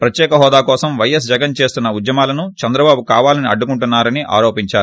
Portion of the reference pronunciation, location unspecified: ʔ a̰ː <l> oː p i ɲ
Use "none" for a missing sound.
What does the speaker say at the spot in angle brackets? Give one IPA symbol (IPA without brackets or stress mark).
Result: ɾ